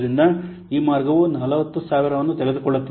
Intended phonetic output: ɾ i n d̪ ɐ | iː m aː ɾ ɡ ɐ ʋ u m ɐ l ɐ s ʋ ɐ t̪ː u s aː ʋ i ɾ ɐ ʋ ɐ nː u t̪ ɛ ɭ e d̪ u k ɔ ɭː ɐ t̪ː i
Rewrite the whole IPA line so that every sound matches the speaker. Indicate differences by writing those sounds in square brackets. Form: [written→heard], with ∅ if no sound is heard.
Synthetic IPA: ɾ i n d̪ ɐ | iː m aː ɾ ɡ ɐ ʋ u [m→n] ɐ l ɐ [s→∅] ʋ ɐ t̪ː u s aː ʋ i ɾ ɐ ʋ ɐ nː u t̪ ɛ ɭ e d̪ u k ɔ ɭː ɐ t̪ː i